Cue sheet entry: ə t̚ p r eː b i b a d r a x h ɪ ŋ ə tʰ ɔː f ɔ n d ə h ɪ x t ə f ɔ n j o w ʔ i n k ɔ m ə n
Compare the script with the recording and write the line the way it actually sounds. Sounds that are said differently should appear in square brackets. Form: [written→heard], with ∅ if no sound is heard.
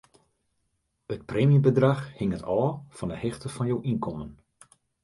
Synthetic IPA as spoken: ə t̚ p r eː [b→m] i b [a→ə] d r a x h ɪ ŋ ə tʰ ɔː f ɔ n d ə h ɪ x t ə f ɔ n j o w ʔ i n k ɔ m ə n